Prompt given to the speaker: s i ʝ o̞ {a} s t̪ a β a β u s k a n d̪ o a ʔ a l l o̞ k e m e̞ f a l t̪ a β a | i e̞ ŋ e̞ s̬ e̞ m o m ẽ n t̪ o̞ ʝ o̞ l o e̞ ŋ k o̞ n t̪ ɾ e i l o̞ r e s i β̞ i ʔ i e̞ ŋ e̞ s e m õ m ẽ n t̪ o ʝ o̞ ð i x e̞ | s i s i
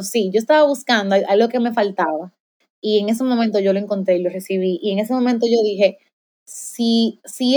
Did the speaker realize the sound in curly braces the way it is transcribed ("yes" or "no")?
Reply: no